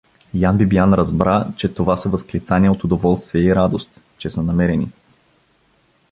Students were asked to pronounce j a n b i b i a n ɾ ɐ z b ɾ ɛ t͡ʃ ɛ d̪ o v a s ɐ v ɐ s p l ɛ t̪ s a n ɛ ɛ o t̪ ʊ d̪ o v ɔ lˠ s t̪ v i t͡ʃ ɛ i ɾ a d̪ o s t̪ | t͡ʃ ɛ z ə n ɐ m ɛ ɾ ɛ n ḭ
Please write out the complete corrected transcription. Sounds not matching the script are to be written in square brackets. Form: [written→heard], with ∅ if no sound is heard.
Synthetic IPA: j a n b i b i a n ɾ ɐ z b ɾ [ɛ→a] t͡ʃ ɛ [d̪→t̪] o v a s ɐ v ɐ s [p→k] l [ɛ→i] t̪ s a n [ɛ→i] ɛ o t̪ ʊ d̪ o v ɔ lˠ s t̪ v i [t͡ʃ→∅] ɛ i ɾ a d̪ o s t̪ | t͡ʃ ɛ [z→s] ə n ɐ m ɛ ɾ ɛ n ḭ